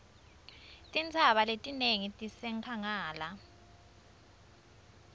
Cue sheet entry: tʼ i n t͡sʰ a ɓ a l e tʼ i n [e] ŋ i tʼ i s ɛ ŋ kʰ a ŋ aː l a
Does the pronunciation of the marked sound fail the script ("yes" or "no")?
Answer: no